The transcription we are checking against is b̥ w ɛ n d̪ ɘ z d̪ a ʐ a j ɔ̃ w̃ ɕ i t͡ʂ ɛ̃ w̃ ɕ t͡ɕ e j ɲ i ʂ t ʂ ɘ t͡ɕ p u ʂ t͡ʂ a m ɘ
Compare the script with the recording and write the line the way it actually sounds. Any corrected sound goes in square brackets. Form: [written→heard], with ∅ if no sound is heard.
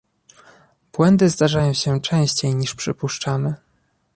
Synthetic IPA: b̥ w ɛ n d̪ ɘ z d̪ a ʐ a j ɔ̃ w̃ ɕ [i→ɛ] t͡ʂ ɛ̃ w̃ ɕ t͡ɕ e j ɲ i ʂ [t→p] ʂ ɘ [t͡ɕ→∅] p u ʂ t͡ʂ a m ɘ